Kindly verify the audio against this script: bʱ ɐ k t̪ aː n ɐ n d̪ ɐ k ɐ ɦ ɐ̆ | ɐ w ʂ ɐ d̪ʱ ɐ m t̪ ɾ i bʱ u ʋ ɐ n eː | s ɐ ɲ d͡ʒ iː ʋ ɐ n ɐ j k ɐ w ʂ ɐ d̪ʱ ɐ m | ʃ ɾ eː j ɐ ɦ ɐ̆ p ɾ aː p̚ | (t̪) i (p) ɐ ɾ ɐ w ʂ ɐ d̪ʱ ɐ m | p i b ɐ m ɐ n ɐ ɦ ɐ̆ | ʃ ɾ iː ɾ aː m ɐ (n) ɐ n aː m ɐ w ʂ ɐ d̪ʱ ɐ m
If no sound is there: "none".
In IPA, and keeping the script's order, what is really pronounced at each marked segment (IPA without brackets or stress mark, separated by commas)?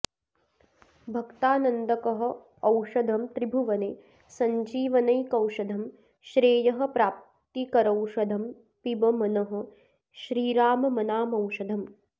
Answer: t̪, k, m